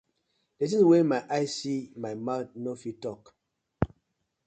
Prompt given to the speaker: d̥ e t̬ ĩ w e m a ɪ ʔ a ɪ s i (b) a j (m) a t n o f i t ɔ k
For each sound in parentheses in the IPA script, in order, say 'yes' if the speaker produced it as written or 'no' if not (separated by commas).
no, yes